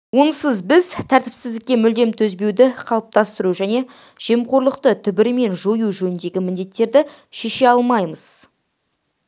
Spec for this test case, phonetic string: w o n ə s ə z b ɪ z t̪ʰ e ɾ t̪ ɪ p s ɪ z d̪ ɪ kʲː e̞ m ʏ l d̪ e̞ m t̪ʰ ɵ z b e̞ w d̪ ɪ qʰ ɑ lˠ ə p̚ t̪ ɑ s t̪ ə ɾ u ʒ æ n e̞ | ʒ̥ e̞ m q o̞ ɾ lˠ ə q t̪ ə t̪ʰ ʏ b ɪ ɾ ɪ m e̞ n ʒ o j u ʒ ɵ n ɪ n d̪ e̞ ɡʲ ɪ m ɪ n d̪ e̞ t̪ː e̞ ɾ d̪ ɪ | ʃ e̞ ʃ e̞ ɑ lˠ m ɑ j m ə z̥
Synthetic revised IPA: w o n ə s ə z b ɪ z t̪ʰ æ ɾ t̪ ɪ p s ɪ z d̪ ɪ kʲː e̞ m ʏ l d̪ e̞ m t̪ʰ ɵ z b e̞ w d̪ ɪ qʰ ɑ lˠ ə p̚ t̪ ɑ s t̪ ə ɾ u ʒ æ n e̞ | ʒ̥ e̞ m q o̞ ɾ lˠ ə q t̪ ə t̪ʰ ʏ b ɪ ɾ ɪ m e̞ n ʒ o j u ʒ ɵ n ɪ n d̪ e̞ ɡʲ ɪ m ɪ n d̪ e̞ t̪ː e̞ ɾ d̪ ɪ | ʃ e̞ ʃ e̞ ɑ lˠ m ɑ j m ə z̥